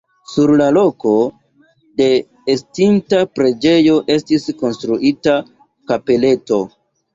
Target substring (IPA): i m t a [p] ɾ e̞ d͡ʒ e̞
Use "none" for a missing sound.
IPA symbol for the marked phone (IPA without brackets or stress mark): p